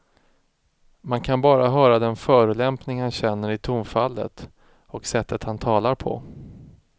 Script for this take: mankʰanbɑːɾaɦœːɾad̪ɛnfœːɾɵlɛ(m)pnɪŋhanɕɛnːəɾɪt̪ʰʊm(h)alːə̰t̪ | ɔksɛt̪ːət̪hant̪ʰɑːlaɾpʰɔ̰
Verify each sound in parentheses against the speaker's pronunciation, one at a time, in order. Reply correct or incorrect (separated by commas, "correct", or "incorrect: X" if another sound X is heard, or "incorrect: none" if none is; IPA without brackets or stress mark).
correct, incorrect: f